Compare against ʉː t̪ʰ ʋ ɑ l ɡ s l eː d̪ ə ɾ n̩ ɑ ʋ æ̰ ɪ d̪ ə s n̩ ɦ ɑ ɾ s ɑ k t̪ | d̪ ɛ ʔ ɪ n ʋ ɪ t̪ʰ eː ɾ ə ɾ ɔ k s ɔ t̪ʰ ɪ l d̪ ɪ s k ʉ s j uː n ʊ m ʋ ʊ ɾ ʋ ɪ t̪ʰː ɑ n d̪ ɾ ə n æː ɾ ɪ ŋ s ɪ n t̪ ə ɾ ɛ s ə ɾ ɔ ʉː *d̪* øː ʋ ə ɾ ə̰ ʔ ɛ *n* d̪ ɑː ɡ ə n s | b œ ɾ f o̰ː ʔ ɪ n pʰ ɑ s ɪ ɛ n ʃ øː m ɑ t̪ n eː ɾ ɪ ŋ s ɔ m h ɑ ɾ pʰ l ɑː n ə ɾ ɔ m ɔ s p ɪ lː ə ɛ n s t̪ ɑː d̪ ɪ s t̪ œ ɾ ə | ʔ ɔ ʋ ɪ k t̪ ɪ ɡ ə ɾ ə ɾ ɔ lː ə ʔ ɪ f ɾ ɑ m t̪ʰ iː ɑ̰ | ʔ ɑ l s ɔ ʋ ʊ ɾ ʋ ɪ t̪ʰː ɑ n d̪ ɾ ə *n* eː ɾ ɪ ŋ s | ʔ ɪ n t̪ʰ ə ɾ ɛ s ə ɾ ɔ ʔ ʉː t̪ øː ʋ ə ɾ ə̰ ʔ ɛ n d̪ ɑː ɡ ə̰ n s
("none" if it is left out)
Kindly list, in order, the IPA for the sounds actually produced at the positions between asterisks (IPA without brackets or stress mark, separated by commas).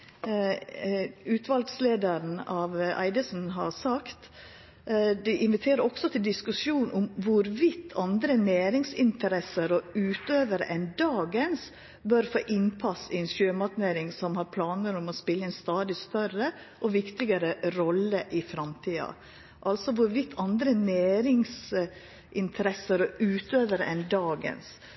t̪, n, n